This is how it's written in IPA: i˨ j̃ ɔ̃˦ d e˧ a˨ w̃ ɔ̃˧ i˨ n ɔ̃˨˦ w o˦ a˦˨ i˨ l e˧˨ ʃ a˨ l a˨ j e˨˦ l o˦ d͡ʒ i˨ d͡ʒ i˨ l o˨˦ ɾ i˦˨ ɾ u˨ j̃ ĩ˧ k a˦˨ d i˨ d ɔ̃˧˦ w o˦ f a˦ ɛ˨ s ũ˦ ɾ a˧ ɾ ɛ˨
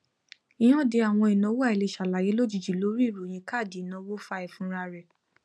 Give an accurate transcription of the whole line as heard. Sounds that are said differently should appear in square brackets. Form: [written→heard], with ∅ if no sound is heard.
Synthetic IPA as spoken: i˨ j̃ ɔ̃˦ d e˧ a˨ w̃ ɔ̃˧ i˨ n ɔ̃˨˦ w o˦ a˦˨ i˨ l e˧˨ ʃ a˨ l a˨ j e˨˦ l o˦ d͡ʒ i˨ d͡ʒ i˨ l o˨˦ ɾ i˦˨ ɾ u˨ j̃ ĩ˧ k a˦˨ d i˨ [d→n] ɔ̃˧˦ w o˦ f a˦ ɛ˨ [s→f] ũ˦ ɾ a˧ ɾ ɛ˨